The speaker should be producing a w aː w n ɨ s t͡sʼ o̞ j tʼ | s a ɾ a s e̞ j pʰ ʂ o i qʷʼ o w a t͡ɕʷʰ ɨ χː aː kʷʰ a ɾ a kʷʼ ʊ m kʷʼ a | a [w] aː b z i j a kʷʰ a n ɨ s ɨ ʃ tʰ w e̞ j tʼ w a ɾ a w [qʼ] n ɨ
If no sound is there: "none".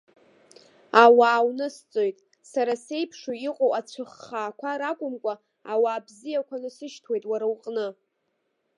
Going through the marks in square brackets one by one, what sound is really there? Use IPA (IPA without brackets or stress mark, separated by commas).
w, qʼ